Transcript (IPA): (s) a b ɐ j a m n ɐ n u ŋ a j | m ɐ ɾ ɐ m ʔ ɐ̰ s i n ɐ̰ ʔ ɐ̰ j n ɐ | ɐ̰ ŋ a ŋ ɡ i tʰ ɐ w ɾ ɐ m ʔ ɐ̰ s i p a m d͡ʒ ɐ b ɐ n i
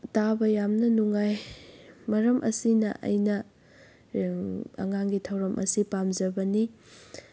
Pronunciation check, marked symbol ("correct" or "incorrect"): incorrect